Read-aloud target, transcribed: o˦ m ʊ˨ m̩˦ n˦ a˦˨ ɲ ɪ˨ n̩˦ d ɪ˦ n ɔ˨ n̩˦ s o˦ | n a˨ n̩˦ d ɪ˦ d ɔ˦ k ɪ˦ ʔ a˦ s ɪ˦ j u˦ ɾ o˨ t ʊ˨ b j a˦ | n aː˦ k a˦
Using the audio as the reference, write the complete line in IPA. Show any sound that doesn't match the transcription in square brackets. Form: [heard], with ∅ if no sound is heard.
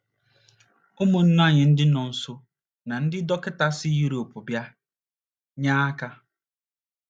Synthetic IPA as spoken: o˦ m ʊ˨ [n̩˦] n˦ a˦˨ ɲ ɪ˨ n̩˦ d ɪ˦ n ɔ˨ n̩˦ s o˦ | n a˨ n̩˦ d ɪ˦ d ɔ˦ k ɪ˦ [t] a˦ s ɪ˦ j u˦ ɾ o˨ [p] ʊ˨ b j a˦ | [ɲ] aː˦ k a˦